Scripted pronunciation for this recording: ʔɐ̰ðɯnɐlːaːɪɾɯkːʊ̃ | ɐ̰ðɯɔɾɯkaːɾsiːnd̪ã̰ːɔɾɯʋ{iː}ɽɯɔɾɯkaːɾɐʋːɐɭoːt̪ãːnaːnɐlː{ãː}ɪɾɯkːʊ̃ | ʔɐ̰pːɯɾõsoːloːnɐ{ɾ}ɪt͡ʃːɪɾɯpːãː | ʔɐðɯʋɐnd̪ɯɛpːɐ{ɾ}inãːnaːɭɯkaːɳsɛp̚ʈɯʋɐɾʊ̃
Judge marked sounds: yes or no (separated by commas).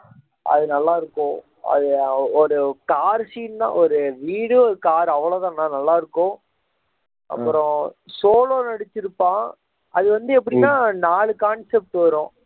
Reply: yes, no, no, no